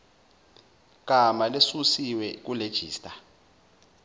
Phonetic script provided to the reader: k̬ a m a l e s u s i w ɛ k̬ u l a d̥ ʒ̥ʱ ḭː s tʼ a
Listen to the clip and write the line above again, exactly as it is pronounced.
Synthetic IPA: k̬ a m a l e s u s i w ɛ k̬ u l e d̥ ʒ̥ʱ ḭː s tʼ a